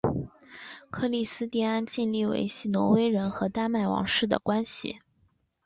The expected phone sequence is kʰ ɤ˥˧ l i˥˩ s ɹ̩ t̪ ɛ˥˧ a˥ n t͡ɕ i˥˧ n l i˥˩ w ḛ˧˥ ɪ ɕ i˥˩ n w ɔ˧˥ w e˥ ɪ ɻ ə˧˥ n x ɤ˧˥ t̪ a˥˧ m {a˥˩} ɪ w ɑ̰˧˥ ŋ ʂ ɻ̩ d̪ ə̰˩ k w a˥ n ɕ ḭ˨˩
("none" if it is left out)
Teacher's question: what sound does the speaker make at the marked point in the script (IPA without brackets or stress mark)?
a˥˩